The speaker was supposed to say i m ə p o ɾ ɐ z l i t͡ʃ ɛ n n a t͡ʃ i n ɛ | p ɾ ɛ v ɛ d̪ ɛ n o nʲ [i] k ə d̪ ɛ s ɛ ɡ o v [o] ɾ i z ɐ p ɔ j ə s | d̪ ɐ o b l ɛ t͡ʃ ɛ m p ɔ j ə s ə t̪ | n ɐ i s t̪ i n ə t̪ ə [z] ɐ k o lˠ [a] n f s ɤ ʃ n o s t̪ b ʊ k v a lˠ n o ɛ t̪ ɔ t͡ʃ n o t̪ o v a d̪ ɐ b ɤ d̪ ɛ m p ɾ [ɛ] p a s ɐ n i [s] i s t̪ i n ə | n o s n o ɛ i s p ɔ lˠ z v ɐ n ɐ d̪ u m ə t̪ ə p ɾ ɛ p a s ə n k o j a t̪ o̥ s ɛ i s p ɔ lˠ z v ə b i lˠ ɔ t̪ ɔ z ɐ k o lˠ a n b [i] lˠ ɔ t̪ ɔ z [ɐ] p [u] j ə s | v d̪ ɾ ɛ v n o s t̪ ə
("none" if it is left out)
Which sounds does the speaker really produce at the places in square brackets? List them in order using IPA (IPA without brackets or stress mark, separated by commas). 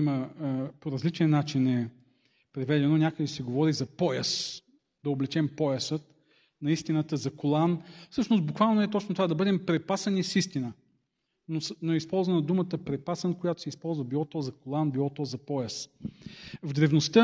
a, ɔ, z, a, ɛ, s, i, ɐ, ɔ